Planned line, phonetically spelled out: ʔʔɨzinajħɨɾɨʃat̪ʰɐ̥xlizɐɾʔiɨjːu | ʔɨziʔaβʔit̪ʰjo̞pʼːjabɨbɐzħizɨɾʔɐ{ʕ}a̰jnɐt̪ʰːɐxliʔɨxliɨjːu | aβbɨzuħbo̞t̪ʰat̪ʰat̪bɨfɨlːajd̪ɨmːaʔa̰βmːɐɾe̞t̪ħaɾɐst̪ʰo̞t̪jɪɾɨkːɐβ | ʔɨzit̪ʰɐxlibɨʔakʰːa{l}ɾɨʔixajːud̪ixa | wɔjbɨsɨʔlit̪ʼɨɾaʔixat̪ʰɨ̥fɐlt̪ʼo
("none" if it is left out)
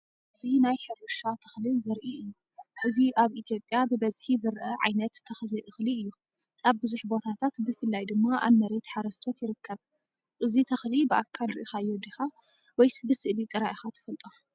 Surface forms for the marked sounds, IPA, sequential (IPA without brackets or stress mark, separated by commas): ʕ, l